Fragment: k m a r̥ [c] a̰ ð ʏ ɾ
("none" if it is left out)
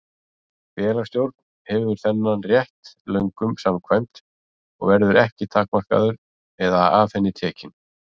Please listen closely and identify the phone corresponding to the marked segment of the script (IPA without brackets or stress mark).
k